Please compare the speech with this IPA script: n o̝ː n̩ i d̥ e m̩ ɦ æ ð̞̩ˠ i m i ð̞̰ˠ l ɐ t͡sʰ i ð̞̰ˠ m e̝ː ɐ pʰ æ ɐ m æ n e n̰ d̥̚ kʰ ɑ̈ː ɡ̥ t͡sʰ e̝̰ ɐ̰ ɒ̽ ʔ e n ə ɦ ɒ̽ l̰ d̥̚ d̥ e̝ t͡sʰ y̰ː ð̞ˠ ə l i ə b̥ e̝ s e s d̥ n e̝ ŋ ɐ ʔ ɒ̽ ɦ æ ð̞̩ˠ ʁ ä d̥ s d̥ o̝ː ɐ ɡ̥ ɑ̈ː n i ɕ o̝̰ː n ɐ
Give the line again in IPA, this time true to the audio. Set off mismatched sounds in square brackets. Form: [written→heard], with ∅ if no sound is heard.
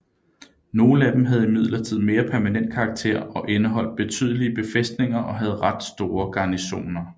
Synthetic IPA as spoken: n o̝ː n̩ [i→æ] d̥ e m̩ ɦ æ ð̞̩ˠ i m i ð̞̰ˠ l ɐ t͡sʰ i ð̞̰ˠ m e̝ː ɐ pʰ æ ɐ m æ n e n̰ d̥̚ kʰ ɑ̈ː ɡ̥ t͡sʰ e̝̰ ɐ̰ ɒ̽ ʔ e n ə ɦ ɒ̽ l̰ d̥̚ [d̥→b̥] e̝ t͡sʰ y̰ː ð̞ˠ ə l i ə b̥ e̝ [s→f] e s d̥ n e̝ ŋ ɐ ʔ ɒ̽ ɦ æ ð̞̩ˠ ʁ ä d̥ s d̥ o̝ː ɐ ɡ̥ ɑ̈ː n i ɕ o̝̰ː n ɐ